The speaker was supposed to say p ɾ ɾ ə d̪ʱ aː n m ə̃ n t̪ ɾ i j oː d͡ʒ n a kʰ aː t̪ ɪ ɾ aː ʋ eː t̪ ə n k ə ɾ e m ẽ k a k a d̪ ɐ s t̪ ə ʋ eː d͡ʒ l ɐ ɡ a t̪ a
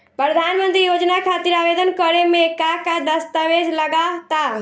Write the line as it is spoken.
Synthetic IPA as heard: p ɾ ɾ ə d̪ʱ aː n m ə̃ n t̪ ɾ i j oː d͡ʒ n a kʰ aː t̪ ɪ ɾ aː ʋ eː d̪ ə n k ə ɾ e m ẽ k a k a d̪ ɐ s t̪ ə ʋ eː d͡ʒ l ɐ ɡ a t̪ a